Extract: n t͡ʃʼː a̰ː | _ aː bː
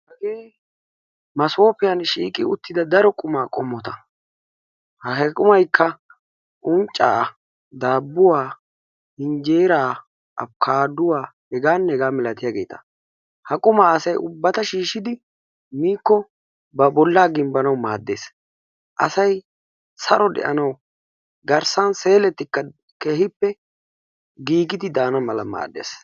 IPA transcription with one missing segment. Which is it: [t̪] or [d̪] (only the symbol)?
d̪